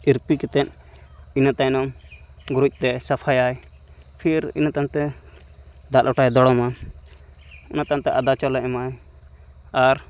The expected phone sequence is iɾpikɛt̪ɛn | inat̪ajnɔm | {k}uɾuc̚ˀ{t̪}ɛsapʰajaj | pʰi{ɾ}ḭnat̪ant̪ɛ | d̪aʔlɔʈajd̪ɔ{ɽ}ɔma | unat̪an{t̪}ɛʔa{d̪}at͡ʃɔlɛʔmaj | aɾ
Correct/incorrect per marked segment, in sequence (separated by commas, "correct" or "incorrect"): incorrect, correct, correct, correct, correct, correct